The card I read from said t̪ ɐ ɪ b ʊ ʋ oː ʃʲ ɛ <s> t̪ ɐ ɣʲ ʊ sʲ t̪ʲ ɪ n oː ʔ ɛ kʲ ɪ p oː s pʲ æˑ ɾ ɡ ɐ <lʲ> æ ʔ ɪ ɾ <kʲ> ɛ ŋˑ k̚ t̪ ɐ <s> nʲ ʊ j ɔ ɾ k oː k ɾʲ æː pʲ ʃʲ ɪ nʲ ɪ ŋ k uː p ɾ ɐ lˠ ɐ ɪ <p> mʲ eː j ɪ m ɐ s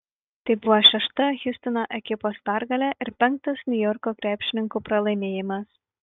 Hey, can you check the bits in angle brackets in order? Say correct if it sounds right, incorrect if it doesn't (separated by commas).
incorrect, correct, incorrect, correct, incorrect